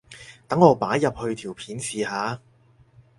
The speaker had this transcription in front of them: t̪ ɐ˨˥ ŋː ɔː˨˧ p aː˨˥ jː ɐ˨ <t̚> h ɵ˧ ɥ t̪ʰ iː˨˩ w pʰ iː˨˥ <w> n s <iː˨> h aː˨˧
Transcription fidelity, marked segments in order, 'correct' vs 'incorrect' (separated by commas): incorrect, incorrect, correct